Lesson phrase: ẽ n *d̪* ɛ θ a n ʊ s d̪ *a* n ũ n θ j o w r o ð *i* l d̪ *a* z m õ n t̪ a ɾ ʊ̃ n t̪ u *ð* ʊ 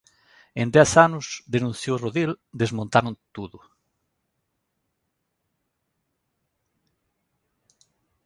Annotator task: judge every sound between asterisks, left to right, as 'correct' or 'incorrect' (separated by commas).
correct, incorrect, correct, incorrect, correct